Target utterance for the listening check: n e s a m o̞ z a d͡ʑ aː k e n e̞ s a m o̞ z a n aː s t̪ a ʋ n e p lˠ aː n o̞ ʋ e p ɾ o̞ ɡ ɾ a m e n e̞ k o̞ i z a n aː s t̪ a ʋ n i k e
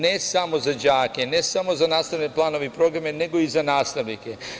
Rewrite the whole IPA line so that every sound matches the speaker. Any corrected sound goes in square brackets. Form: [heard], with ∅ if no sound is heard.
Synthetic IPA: n e s a m o̞ z a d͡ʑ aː k e n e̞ s a m o̞ z a n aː s t̪ a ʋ n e p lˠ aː n o̞ ʋ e p ɾ o̞ ɡ ɾ a m e n e̞ [ɡ] o̞ i z a n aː s t̪ a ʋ n i k e